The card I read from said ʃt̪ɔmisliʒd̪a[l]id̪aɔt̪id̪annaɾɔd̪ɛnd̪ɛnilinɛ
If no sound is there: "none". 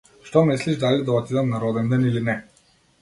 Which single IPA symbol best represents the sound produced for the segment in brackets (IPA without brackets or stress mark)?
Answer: l